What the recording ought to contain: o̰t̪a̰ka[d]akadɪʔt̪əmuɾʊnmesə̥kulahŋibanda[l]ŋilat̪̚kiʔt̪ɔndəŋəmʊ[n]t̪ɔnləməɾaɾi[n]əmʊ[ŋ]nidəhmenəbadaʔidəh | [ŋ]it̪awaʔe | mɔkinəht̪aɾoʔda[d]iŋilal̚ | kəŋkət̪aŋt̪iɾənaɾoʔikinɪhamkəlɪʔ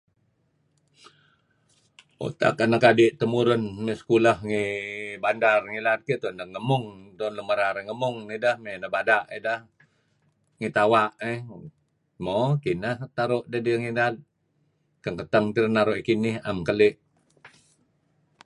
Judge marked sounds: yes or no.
no, no, no, no, yes, yes, yes

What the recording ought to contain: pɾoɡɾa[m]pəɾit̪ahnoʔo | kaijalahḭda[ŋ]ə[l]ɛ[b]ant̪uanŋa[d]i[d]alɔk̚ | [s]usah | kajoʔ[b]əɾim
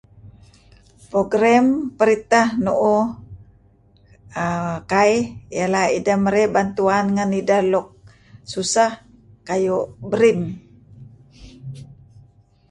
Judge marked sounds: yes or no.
yes, no, no, yes, no, yes, yes, yes

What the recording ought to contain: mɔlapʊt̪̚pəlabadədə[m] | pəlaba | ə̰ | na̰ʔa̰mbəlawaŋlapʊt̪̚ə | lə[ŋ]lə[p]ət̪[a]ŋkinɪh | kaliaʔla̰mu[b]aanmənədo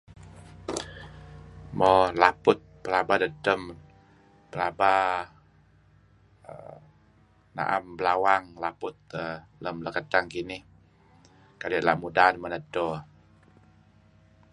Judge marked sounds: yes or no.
yes, no, no, yes, no

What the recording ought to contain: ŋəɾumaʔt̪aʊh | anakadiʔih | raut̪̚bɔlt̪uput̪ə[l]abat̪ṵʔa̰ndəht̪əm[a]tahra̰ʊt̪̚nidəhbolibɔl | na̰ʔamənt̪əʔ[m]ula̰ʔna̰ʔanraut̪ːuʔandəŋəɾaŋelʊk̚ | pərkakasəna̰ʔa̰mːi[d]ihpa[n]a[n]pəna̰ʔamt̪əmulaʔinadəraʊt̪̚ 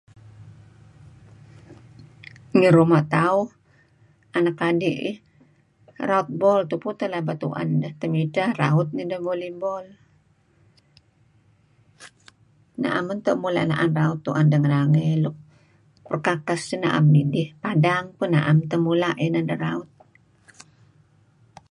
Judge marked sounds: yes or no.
yes, no, yes, yes, no, no

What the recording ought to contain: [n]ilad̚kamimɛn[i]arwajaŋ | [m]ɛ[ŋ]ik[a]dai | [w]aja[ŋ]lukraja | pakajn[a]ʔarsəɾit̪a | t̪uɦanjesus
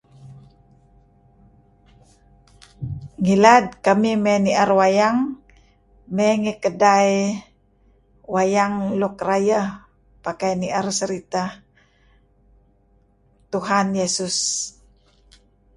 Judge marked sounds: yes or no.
no, yes, yes, yes, no, yes, yes, no

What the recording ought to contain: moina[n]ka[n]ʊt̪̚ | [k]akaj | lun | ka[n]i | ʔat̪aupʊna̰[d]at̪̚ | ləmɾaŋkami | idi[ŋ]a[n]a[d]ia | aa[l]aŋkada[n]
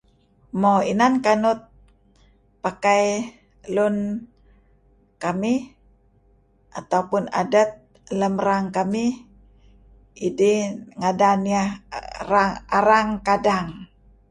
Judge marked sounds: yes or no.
yes, yes, no, no, yes, yes, no, no, no, no

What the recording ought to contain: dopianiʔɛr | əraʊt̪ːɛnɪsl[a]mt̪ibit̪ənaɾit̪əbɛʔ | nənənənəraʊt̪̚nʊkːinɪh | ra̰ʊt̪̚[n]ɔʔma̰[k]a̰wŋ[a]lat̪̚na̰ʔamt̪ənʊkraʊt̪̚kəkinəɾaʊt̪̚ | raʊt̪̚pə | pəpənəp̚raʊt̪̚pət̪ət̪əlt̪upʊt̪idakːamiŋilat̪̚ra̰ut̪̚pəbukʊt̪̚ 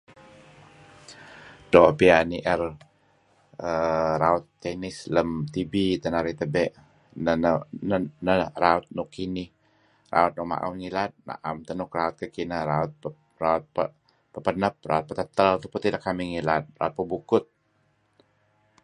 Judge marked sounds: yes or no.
no, yes, no, no

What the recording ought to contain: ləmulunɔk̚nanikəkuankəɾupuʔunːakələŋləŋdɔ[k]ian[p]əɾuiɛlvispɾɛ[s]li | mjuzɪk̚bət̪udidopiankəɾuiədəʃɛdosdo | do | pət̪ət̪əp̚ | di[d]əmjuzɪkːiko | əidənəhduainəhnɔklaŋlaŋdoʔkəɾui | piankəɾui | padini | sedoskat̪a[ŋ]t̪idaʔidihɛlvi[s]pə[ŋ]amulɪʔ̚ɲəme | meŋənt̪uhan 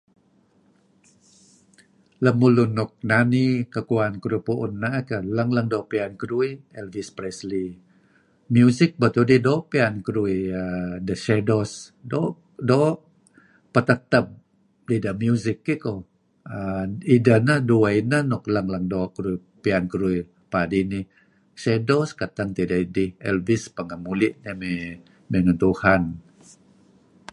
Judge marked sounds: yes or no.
no, no, yes, yes, yes, yes, yes

